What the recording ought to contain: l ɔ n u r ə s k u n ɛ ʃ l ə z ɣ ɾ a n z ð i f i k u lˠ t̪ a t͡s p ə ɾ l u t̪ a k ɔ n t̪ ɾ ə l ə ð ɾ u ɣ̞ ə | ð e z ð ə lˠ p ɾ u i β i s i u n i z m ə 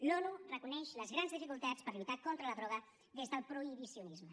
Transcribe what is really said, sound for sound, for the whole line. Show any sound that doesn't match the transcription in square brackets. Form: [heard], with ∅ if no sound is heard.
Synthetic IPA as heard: l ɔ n u r ə [∅] k u n ɛ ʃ l ə z ɣ ɾ a n z ð i f i k u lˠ t̪ a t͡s p ə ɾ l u t̪ a k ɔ n t̪ ɾ ə l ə ð ɾ [ɔ] ɣ̞ ə | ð e z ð ə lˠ p ɾ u i β i s i u n i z m ə